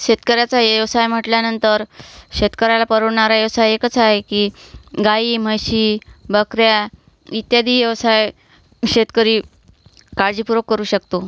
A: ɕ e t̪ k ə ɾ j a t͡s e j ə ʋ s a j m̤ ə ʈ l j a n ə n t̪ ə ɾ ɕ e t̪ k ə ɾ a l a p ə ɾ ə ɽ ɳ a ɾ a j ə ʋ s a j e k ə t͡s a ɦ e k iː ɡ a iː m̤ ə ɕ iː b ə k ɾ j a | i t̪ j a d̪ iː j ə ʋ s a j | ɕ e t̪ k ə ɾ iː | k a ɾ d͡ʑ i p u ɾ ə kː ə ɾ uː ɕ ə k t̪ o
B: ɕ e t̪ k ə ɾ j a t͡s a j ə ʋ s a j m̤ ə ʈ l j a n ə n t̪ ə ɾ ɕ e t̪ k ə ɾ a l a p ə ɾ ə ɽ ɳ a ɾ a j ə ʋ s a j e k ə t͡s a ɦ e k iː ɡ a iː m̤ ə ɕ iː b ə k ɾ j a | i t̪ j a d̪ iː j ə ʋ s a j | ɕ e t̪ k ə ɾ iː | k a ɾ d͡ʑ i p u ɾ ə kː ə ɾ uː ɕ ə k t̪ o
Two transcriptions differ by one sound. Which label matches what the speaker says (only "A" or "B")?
B